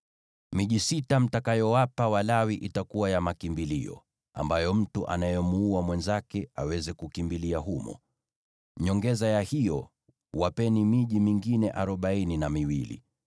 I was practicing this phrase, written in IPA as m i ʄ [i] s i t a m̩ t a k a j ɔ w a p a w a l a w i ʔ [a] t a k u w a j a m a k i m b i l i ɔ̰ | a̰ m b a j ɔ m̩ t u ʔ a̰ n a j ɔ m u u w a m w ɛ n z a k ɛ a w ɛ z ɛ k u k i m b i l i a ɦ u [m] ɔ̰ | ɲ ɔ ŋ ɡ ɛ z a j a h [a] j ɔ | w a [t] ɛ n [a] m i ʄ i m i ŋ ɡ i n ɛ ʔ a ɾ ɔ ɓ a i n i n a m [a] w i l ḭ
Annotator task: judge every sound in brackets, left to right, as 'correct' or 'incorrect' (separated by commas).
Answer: correct, incorrect, correct, incorrect, incorrect, incorrect, incorrect